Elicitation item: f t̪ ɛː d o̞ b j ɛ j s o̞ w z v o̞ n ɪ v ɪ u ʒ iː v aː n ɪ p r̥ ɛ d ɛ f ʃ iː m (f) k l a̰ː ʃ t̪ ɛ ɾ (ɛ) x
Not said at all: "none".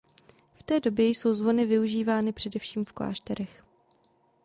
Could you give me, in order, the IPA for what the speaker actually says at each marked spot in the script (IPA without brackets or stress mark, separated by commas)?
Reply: f, ɛ